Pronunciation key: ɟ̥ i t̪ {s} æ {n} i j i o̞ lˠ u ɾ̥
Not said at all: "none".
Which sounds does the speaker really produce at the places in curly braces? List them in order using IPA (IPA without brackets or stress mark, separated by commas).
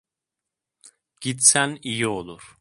s, n